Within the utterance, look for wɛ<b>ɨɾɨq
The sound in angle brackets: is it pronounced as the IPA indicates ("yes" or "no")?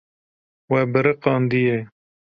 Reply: yes